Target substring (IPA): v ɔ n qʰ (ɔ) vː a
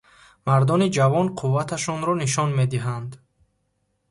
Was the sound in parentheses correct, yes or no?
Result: no